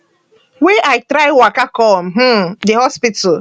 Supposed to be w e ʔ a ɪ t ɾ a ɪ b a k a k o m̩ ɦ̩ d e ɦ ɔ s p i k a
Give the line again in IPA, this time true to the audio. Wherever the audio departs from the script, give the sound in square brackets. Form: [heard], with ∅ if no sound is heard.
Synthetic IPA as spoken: w e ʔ a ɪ t ɾ a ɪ [w] a k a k [ɔ] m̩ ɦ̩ d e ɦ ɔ s p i [t] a